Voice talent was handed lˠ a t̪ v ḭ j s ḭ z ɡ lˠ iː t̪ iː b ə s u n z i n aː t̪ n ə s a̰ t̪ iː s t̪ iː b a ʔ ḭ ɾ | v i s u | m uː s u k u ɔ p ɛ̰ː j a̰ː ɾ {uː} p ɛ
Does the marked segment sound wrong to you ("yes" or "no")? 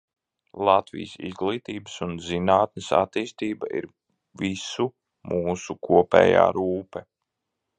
no